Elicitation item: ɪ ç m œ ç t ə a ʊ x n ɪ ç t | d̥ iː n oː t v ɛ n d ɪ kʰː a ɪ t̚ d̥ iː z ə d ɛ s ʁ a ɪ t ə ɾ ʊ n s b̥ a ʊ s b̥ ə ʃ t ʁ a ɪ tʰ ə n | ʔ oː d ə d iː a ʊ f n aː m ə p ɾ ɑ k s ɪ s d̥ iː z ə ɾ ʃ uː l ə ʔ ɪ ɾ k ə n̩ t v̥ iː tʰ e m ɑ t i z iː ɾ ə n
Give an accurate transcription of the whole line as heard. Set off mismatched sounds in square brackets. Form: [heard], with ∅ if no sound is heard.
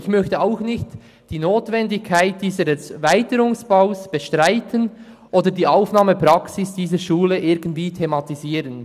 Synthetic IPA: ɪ ç m œ ç t ə a ʊ x n ɪ ç t | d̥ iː n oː t v ɛ n d ɪ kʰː a ɪ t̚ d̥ iː z ə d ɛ s [v] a ɪ t ə ɾ ʊ [ŋ] s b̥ a ʊ s b̥ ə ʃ t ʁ a ɪ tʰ ə n | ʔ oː d ə d iː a ʊ f n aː m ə p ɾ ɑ k s ɪ s d̥ iː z ə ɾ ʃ uː l ə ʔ ɪ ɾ [ɡ] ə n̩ t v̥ iː tʰ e m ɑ t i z iː ɾ ə n